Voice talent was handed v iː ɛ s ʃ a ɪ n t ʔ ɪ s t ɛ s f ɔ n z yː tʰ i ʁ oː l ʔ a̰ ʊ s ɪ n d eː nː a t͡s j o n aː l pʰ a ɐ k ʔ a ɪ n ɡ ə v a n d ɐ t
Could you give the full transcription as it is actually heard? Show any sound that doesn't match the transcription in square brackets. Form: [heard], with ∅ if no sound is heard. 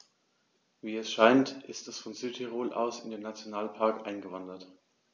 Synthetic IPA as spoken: v iː ɛ s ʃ a ɪ n t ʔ ɪ s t ɛ s f ɔ n z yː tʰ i ʁ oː l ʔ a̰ ʊ s ɪ n d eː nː a t͡s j o n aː l pʰ a ɐ k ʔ a ɪ n ɡ ə v a n d ɐ t